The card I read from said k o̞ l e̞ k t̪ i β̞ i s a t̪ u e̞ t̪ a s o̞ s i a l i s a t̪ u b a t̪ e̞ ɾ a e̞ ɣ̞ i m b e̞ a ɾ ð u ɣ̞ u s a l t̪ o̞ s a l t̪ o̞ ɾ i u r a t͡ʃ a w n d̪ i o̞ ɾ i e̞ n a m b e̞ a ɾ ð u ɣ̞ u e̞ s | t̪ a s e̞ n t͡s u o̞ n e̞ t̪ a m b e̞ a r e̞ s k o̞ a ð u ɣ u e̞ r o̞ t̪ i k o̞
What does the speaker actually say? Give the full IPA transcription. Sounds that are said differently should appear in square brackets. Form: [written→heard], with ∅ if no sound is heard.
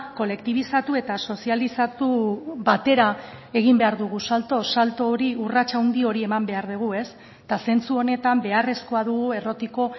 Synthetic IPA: k o̞ l e̞ k t̪ i β̞ i s a t̪ u e̞ t̪ a s o̞ s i a l i s a t̪ u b a t̪ e̞ ɾ a e̞ ɣ̞ i m b e̞ a ɾ ð u ɣ̞ u s a l t̪ o̞ s a l t̪ o̞ ɾ i u r a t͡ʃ a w n d̪ i o̞ ɾ i e̞ [n→m] a m b e̞ a ɾ ð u ɣ̞ u e̞ s | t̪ a s e̞ n t͡s u o̞ n e̞ t̪ a m b e̞ a r e̞ s k o̞ a ð u ɣ u e̞ r o̞ t̪ i k o̞

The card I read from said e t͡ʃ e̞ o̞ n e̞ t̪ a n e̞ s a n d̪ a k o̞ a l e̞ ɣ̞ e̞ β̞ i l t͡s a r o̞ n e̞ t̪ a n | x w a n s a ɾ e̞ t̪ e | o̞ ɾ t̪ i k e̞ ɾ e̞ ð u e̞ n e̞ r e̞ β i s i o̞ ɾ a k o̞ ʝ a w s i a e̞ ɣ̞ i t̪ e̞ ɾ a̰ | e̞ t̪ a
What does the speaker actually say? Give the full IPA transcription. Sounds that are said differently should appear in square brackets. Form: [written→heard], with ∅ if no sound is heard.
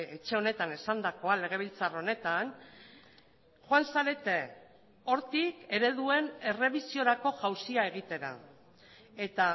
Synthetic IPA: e t͡ʃ e̞ o̞ n e̞ t̪ a n e̞ s a n d̪ a k o̞ a l e̞ ɣ̞ e̞ β̞ i l t͡s a r o̞ n e̞ t̪ a n | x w a n s a ɾ e̞ t̪ e | o̞ ɾ t̪ i k e̞ ɾ e̞ ð u e̞ n e̞ r e̞ β i s i o̞ ɾ a k o̞ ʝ a w s i a e̞ ɣ̞ i t̪ e̞ ɾ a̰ | e̞ t̪ a

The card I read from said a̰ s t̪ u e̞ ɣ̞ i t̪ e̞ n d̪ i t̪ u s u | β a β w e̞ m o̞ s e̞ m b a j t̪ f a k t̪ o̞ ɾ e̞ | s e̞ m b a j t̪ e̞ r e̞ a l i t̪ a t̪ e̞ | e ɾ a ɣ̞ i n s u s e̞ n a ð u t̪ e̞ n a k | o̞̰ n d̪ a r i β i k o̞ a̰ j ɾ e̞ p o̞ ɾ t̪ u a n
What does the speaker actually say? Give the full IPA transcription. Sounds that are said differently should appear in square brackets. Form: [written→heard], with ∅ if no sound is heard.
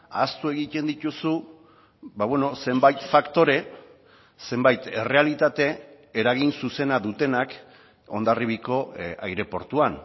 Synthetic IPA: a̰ s t̪ u e̞ ɣ̞ i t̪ e̞ n d̪ i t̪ u s u | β a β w e̞ [m→n] o̞ s e̞ m b a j t̪ f a k t̪ o̞ ɾ e̞ | s e̞ m b a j t̪ e̞ r e̞ a l i t̪ a t̪ e̞ | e ɾ a ɣ̞ i n s u s e̞ n a ð u t̪ e̞ n a k | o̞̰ n d̪ a r i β i k o̞ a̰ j ɾ e̞ p o̞ ɾ t̪ u a n

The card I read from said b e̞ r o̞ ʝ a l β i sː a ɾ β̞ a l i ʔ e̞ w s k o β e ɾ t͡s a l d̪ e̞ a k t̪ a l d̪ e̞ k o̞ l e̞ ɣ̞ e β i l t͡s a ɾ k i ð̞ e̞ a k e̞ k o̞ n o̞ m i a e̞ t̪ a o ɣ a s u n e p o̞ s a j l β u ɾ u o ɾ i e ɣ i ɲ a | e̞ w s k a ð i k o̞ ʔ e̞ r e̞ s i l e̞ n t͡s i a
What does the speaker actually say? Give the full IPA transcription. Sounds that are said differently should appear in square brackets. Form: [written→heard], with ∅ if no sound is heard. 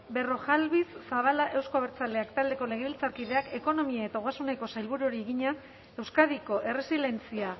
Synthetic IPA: b e̞ r o̞ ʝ a l β i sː a [ɾ→∅] β̞ a l [i→a] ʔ e̞ w s k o β e ɾ t͡s a l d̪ e̞ a k t̪ a l d̪ e̞ k o̞ l e̞ ɣ̞ e β i l t͡s a ɾ k i ð̞ e̞ a k e̞ k o̞ n o̞ m i a e̞ t̪ a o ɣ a s u n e [p→k] o̞ s a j l β u ɾ u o ɾ i e ɣ i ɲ a | e̞ w s k a ð i k o̞ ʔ e̞ r e̞ s i l e̞ n t͡s i a

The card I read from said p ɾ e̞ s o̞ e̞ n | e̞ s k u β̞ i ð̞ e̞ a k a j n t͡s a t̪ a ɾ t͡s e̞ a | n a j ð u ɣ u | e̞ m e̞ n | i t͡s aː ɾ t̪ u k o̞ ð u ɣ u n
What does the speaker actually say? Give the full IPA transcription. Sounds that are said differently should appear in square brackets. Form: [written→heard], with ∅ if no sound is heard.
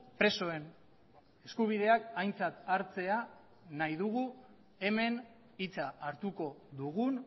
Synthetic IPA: p ɾ e̞ s o̞ e̞ n | e̞ s k u β̞ i ð̞ e̞ a k a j n t͡s a t̪ a ɾ t͡s e̞ a | n a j ð u ɣ u | e̞ m e̞ n | i t͡s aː ɾ t̪ u k o̞ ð u ɣ u n

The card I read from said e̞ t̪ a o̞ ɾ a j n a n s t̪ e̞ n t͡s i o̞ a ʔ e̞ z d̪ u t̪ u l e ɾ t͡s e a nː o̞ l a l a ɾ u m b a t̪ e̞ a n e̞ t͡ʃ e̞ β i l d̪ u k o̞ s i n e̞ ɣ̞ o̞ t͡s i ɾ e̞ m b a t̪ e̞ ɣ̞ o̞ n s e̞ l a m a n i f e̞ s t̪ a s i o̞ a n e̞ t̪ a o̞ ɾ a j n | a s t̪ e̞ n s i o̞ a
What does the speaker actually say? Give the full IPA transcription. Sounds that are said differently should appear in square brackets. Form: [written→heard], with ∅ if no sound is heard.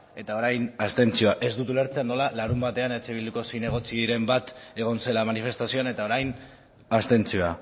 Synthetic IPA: e̞ t̪ a o̞ ɾ a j n a [n→∅] s t̪ e̞ n t͡s i o̞ a ʔ e̞ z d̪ u t̪ u l e ɾ t͡s e a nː o̞ l a l a ɾ u m b a t̪ e̞ a n e̞ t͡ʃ e̞ β i l d̪ u k o̞ s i n e̞ ɣ̞ o̞ t͡s i ɾ e̞ m b a t̪ e̞ ɣ̞ o̞ n s e̞ l a m a n i f e̞ s t̪ a s i o̞ a n e̞ t̪ a o̞ ɾ a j n | a s t̪ e̞ n [s→t͡s] i o̞ a

